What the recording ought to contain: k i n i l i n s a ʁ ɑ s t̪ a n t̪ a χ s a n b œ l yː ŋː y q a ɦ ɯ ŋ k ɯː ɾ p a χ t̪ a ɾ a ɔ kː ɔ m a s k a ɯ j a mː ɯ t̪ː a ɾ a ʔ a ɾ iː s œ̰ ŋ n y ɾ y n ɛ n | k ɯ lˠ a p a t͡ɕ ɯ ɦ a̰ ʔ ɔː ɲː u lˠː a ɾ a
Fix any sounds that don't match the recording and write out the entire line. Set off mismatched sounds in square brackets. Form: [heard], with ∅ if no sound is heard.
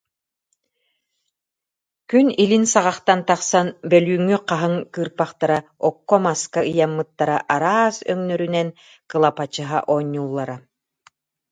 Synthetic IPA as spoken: k [y] n i l i n s a ʁ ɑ [χ] t̪ a n t̪ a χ s a n b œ l yː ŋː y q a ɦ ɯ ŋ k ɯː ɾ p a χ t̪ a ɾ a ɔ kː ɔ m a s k a ɯ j a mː ɯ t̪ː a ɾ a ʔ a ɾ [aː] s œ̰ ŋ n [œ] ɾ y n ɛ n | k ɯ lˠ a p a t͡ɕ ɯ ɦ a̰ ʔ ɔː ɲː u lˠː a ɾ a